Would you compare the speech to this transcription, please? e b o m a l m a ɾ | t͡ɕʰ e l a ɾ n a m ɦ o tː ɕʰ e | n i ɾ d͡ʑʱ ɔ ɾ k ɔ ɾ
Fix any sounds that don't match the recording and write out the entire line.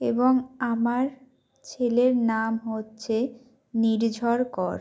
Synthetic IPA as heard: e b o ŋ a m a ɾ | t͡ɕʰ e l e ɾ n a m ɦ o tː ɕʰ e | n i ɾ d͡ʑʱ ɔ ɾ k ɔ ɾ